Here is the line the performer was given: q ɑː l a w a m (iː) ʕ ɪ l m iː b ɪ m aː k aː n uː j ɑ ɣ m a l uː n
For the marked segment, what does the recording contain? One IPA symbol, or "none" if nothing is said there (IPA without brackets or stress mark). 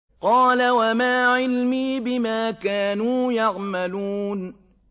aː